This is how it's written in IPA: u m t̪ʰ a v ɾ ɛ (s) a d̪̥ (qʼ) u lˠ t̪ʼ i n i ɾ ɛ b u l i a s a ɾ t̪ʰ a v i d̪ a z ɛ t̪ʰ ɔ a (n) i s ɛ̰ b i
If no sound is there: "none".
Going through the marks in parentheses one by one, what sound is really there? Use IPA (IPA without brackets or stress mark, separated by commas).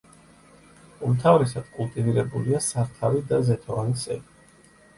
s, kʼ, n